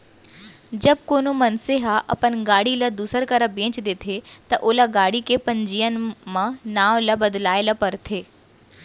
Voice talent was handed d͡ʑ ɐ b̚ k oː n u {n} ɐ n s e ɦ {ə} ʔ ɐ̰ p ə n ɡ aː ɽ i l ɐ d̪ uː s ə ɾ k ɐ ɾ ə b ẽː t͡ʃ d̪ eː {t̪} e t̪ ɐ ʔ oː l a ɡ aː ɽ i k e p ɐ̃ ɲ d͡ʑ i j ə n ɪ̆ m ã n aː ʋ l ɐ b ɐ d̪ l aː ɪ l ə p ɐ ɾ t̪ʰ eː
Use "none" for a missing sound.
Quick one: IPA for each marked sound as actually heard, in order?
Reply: m, a, t̪ʰ

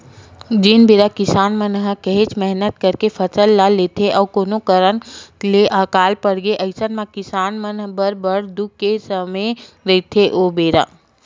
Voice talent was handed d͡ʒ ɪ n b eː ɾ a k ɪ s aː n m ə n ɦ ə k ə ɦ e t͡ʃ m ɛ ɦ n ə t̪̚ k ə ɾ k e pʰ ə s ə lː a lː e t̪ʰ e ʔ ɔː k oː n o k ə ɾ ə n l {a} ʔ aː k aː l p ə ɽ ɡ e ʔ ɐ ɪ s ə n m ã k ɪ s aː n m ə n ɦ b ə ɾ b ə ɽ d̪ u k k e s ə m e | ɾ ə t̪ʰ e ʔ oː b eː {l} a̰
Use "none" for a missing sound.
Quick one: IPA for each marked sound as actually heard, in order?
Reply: e, ɾ

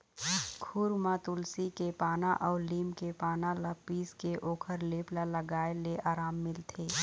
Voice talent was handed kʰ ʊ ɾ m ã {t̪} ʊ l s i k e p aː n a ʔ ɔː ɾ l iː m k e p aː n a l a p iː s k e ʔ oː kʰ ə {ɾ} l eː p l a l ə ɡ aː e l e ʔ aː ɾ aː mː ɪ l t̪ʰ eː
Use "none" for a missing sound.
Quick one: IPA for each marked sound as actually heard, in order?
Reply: t̪, ɾ

